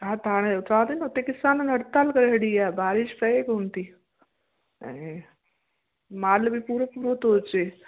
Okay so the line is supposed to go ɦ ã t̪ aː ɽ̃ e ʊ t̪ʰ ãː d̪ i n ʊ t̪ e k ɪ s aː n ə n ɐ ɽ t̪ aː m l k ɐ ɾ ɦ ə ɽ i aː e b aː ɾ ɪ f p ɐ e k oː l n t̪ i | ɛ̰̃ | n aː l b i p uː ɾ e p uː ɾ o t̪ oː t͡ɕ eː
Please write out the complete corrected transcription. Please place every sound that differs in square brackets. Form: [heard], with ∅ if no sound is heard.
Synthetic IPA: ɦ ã t̪ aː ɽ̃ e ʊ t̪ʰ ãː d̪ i n ʊ t̪ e k ɪ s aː n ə n ɐ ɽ t̪ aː [∅] l k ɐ ɾ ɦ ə ɽ i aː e b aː ɾ ɪ [ʃ] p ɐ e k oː [∅] n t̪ i | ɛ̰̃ | [m] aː l b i p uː ɾ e p uː ɾ o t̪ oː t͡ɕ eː

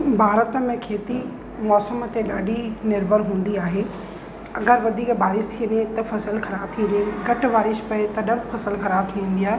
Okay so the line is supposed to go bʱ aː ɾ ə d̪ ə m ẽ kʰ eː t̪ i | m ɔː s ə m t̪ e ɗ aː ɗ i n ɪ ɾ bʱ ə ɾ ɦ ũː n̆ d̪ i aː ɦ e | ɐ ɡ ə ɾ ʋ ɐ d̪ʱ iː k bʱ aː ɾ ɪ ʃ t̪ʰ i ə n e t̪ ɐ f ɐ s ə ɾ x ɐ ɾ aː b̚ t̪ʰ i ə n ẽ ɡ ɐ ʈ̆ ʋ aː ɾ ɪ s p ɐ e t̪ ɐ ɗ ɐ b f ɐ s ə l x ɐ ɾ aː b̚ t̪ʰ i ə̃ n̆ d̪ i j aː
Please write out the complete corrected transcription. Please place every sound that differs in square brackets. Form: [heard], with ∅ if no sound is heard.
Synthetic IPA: bʱ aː ɾ ə [t̪] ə m ẽ kʰ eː t̪ i | m ɔː s ə m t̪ e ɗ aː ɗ i n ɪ ɾ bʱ ə ɾ ɦ ũː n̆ d̪ i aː ɦ e | ɐ ɡ ə ɾ ʋ ɐ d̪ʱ iː k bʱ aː ɾ ɪ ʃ t̪ʰ i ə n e t̪ ɐ f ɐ s ə [l] x ɐ ɾ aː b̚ t̪ʰ i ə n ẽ ɡ ɐ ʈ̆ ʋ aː ɾ ɪ [ʃ] p ɐ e t̪ ɐ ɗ ɐ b f ɐ s ə l x ɐ ɾ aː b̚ t̪ʰ i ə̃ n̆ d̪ i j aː

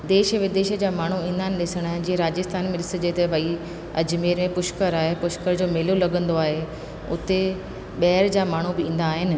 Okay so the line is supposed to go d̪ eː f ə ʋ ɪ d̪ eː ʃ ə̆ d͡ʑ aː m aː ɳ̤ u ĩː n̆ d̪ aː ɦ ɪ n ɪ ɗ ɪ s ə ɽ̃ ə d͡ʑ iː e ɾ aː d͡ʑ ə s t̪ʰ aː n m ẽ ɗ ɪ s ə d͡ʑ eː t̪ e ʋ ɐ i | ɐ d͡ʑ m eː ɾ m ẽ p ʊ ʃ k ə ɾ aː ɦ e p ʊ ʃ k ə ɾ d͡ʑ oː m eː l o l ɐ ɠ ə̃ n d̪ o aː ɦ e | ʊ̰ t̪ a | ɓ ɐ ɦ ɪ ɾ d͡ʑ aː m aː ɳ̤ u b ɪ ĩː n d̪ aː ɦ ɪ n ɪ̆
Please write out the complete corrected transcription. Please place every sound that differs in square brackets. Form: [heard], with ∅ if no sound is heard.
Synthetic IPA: d̪ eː [ʃ] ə ʋ ɪ d̪ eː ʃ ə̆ d͡ʑ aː m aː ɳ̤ u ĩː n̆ d̪ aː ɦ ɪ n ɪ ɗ ɪ s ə ɽ̃ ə d͡ʑ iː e ɾ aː d͡ʑ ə s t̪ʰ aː n m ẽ ɗ ɪ s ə d͡ʑ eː t̪ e ʋ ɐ i | ɐ d͡ʑ m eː ɾ m ẽ p ʊ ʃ k ə ɾ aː ɦ e p ʊ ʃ k ə ɾ d͡ʑ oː m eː l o l ɐ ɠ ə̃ n d̪ o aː ɦ e | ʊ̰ t̪ [e] | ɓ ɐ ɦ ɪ ɾ d͡ʑ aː m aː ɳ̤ u b ɪ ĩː n d̪ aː ɦ ɪ n ɪ̆

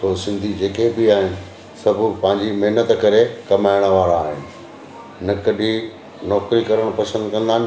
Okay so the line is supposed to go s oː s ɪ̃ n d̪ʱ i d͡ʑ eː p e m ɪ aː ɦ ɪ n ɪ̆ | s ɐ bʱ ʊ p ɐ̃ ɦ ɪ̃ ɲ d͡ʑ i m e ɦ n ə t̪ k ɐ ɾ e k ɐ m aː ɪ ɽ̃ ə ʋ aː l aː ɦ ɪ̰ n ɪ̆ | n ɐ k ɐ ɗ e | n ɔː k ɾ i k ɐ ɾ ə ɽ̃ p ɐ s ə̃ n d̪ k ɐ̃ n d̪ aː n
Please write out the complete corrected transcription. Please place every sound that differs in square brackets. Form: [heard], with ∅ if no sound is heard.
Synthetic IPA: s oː s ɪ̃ n d̪ʱ i d͡ʑ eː [k] e [b] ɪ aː ɦ ɪ n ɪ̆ | s ɐ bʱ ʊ p ɐ̃ ɦ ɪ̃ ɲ d͡ʑ i m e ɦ n ə t̪ k ɐ ɾ e k ɐ m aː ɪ ɽ̃ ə ʋ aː [ɾ] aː ɦ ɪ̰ n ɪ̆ | n ɐ k ɐ ɗ [i] | n ɔː k ɾ i k ɐ ɾ ə ɽ̃ p ɐ s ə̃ n d̪ k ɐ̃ n d̪ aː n

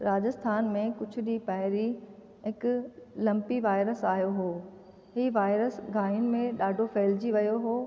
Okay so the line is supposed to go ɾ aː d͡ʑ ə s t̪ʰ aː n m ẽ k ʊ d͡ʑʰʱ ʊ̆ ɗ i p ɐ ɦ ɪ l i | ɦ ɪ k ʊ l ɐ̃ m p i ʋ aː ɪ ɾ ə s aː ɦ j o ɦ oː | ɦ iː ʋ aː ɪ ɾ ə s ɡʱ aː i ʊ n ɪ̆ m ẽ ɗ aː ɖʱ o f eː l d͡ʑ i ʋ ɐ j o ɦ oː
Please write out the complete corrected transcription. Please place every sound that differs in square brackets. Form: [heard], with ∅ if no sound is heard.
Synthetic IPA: ɾ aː d͡ʑ ə s t̪ʰ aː n m ẽ k ʊ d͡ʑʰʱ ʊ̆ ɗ i p ɐ ɦ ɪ [ɾ] i | ɦ ɪ k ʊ l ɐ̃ m p i ʋ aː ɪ ɾ ə s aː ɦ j o ɦ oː | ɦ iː ʋ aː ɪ ɾ ə s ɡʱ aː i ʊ n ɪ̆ m ẽ ɗ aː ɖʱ o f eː l d͡ʑ i ʋ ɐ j o ɦ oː

